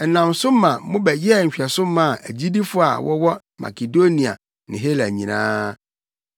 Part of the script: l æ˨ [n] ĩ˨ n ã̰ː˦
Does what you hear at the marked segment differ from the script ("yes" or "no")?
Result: yes